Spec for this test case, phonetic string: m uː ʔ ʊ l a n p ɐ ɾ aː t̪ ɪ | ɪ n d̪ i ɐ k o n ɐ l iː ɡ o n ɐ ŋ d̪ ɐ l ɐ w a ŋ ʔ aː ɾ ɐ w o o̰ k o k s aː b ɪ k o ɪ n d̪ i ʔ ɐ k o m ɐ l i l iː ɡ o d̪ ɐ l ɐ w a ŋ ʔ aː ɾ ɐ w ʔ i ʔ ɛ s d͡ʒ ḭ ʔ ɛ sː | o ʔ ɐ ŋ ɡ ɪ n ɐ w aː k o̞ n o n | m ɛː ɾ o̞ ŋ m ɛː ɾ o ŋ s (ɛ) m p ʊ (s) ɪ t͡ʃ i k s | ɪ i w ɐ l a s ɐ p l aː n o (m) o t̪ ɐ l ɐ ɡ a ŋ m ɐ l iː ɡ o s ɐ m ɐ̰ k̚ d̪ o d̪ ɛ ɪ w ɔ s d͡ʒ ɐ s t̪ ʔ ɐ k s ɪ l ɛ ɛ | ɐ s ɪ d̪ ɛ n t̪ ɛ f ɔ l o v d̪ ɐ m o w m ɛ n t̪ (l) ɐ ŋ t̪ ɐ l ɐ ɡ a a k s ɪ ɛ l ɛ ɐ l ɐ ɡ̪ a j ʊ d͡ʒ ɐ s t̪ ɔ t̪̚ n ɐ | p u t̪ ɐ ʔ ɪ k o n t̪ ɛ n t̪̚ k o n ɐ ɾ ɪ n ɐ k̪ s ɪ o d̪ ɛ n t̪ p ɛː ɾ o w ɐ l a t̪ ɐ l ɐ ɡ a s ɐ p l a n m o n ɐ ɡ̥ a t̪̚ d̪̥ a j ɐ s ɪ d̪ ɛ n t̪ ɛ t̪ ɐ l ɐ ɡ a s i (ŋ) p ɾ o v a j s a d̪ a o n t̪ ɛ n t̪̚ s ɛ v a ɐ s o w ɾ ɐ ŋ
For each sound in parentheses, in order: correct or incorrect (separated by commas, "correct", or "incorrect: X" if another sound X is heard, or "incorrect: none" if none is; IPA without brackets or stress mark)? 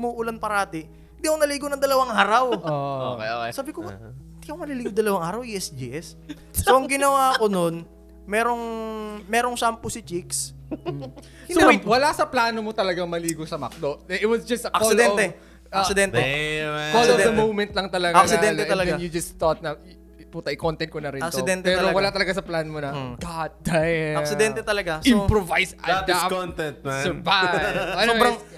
incorrect: a, correct, correct, correct, incorrect: m